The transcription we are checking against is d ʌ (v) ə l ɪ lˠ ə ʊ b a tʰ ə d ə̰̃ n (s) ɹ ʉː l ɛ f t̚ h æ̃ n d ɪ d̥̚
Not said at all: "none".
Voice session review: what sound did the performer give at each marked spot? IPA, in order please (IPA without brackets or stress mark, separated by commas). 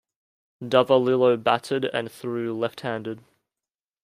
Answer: v, θ